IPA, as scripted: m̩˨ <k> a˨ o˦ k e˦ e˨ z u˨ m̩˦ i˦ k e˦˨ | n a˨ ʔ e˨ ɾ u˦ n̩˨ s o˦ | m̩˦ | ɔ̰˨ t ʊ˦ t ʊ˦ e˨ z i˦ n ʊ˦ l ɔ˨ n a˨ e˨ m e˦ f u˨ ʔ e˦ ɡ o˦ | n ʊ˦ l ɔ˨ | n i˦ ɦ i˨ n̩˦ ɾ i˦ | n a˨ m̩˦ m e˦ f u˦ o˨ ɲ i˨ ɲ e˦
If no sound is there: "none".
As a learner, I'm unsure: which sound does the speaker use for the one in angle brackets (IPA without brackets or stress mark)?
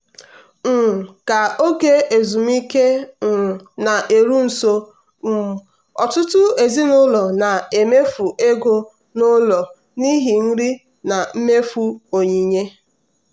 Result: k